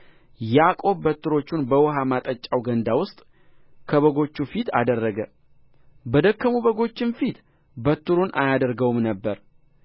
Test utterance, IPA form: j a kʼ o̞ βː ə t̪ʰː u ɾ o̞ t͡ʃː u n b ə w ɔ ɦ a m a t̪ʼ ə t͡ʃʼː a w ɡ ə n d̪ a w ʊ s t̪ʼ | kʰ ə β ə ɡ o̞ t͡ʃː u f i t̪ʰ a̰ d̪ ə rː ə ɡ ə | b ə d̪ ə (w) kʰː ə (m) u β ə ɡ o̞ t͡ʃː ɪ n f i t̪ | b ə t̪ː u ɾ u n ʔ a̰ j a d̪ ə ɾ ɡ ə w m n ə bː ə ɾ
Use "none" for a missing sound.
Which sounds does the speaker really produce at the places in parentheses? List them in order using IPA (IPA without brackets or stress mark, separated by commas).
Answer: none, m